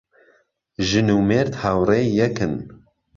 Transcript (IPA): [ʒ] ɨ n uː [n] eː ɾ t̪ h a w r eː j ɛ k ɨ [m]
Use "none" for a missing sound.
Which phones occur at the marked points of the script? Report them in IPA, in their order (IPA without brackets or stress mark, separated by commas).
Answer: ʒ, m, n